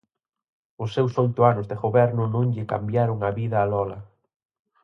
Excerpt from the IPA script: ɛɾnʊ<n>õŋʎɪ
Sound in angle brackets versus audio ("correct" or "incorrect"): correct